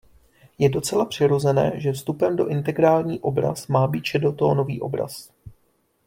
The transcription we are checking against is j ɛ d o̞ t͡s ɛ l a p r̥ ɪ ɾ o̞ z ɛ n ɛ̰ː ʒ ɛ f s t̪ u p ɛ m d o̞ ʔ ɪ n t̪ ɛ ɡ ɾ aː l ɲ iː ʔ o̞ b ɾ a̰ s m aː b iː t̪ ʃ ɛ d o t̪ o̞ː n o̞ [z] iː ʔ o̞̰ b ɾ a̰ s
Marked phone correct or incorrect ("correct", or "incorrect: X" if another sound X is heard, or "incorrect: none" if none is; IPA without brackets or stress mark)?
incorrect: v